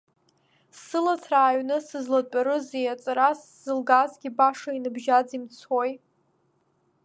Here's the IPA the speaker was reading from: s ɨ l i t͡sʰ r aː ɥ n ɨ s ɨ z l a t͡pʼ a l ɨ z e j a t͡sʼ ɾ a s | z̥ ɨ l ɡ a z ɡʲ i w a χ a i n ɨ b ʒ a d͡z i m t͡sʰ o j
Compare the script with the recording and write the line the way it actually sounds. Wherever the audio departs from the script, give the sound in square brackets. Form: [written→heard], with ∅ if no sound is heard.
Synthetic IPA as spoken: s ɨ l [i→a] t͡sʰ r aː ɥ n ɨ s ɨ z l a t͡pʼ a [l→ɾ] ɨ z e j a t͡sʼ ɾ a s | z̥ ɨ l ɡ a z ɡʲ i [w→b] a [χ→ʂ] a i n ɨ b ʒ a d͡z i m t͡sʰ o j